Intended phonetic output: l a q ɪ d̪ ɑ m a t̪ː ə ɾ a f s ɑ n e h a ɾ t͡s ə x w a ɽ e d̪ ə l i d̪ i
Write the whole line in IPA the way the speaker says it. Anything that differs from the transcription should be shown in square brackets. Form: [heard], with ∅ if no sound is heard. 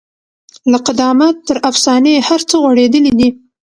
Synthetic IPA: l a q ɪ d̪ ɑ m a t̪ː ə ɾ a f s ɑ n e h a ɾ t͡s ə [ɣ] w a ɽ e d̪ ə l i d̪ i